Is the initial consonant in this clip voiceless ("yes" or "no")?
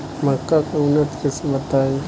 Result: no